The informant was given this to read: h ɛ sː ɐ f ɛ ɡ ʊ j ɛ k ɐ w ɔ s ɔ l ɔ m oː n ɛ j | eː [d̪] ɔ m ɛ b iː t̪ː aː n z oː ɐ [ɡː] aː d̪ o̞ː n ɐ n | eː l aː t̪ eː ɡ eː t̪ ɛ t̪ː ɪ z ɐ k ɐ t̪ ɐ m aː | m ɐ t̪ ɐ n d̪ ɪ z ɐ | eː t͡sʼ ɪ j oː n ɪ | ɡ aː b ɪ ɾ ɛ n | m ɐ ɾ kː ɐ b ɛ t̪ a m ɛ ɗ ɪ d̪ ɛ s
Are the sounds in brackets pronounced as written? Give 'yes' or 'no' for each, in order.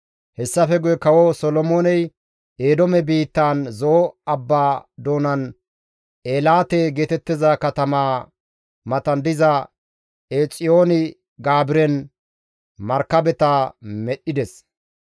yes, no

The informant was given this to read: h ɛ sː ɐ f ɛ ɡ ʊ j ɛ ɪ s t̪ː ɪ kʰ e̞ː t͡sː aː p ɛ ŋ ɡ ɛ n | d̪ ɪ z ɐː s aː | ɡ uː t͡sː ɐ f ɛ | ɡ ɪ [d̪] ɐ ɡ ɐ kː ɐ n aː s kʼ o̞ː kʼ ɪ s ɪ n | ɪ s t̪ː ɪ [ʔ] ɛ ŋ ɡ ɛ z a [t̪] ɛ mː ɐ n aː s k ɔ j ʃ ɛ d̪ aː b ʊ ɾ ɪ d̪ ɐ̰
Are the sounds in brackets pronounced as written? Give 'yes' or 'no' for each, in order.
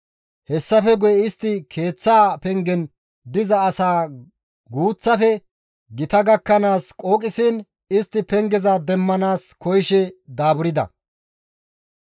no, no, no

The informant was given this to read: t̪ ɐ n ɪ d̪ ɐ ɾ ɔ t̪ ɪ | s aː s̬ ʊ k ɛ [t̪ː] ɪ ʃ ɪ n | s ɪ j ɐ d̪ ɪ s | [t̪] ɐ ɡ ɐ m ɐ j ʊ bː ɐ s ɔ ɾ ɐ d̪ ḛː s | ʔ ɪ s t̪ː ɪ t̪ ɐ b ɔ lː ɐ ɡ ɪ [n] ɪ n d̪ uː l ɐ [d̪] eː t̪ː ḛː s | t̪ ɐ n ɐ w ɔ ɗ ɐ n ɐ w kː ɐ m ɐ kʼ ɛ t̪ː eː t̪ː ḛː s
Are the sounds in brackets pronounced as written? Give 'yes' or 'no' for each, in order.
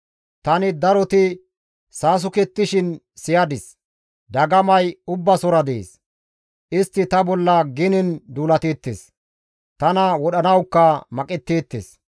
yes, no, yes, no

